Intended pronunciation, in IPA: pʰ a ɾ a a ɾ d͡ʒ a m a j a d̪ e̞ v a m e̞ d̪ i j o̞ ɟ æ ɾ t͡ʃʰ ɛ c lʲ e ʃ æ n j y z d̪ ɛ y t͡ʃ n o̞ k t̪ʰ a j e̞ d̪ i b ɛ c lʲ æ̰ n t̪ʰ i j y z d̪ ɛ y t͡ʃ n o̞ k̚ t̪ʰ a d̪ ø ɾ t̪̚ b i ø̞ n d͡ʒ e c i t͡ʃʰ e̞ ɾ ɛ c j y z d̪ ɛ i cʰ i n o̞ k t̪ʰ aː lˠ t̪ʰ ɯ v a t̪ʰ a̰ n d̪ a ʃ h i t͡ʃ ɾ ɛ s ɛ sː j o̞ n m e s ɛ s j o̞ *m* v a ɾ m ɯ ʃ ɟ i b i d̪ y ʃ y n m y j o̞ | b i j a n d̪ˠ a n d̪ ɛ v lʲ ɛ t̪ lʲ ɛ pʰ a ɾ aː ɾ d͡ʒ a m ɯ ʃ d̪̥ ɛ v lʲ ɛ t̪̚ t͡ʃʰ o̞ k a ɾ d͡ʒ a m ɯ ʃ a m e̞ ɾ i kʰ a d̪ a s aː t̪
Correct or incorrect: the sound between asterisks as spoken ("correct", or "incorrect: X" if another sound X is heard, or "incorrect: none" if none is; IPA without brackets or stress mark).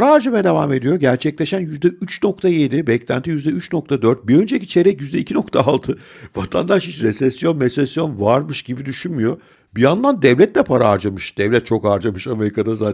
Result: incorrect: n